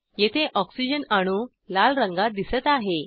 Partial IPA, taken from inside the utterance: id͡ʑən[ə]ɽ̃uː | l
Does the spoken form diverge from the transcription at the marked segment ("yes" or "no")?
yes